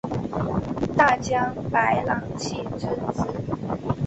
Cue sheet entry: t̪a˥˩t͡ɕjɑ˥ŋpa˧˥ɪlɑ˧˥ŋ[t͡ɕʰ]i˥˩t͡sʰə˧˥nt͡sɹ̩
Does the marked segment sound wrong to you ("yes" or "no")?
no